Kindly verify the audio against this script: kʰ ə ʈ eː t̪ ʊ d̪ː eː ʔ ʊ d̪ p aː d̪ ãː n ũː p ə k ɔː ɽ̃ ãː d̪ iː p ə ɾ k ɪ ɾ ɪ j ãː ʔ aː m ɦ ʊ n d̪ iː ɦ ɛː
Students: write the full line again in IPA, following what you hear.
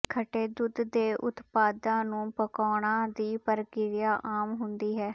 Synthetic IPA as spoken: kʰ ə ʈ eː d̪ ʊ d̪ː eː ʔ ʊ t̪ p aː d̪ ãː n ũː p ə k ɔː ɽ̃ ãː d̪ iː p ə ɾ k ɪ ɾ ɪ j aː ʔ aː m ɦ ʊ n d̪ iː ɦ ɛː